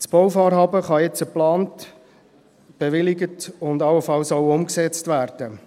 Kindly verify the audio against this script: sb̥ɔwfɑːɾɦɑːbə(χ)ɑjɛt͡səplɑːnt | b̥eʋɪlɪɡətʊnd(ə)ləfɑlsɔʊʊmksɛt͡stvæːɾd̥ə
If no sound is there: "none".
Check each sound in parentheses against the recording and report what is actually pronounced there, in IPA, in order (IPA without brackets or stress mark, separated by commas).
χ, ɑ